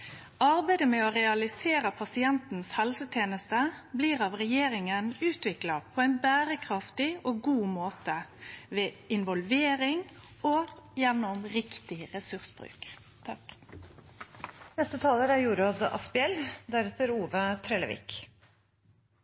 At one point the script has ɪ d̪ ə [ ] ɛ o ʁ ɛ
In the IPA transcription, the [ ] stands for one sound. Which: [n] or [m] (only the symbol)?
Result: m